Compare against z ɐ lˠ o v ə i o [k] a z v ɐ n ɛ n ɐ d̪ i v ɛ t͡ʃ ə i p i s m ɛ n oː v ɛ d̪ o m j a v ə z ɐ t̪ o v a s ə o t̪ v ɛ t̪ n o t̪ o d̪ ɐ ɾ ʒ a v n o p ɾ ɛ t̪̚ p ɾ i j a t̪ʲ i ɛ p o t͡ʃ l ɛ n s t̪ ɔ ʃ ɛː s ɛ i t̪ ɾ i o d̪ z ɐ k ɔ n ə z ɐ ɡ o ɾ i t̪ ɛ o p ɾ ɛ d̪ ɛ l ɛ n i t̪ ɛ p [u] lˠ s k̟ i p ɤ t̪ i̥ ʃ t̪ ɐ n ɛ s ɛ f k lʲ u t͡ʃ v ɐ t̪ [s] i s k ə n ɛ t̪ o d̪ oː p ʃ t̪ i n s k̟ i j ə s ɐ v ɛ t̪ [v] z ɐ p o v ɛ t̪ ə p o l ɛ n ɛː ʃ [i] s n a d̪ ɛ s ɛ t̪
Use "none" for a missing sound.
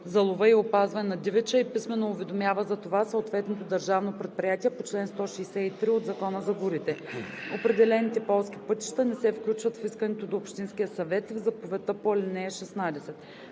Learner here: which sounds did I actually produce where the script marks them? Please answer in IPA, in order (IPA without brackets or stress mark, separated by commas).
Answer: p, ɔ, f, v, ɛ